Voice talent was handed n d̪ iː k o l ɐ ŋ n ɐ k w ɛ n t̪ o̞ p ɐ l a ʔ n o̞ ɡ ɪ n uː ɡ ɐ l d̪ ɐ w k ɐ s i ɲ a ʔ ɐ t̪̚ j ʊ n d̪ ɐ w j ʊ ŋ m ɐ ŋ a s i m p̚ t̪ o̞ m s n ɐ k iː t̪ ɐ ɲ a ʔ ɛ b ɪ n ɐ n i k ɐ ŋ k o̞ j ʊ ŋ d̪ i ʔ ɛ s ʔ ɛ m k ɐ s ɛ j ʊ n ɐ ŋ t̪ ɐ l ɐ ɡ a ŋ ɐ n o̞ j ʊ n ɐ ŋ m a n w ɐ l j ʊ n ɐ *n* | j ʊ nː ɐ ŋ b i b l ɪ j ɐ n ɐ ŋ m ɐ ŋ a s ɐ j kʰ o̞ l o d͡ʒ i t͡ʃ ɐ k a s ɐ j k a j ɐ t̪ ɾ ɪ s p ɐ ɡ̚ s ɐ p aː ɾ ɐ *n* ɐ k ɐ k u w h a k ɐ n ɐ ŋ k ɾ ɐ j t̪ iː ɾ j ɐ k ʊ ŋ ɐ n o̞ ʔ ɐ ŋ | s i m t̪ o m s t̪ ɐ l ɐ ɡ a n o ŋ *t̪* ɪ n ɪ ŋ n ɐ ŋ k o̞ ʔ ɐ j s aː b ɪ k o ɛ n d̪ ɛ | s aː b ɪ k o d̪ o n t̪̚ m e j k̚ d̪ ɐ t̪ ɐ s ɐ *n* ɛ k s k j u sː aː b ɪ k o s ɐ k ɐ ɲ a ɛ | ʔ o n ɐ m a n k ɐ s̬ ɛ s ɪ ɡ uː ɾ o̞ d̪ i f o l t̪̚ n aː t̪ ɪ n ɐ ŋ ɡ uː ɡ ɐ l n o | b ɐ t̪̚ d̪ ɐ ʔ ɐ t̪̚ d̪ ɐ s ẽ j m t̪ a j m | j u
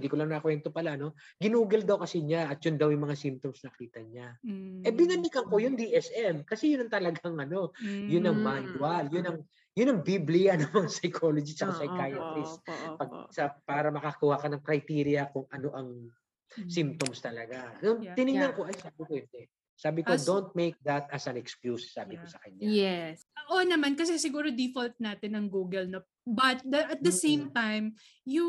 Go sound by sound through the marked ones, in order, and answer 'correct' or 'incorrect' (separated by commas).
incorrect, incorrect, correct, correct